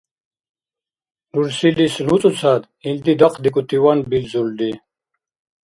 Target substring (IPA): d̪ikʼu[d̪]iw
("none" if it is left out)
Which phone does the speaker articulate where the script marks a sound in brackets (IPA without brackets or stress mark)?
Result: t̪